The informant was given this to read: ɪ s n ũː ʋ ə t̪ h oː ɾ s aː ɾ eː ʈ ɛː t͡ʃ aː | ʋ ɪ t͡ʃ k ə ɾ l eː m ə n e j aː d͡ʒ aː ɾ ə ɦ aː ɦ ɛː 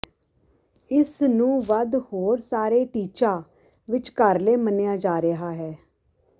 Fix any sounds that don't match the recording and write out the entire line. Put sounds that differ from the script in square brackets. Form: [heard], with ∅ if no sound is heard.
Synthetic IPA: ɪ s n ũː ʋ ə [d̪] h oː ɾ s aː ɾ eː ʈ [iː] t͡ʃ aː | ʋ ɪ t͡ʃ k ə ɾ l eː m ə n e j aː d͡ʒ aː ɾ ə ɦ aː ɦ ɛː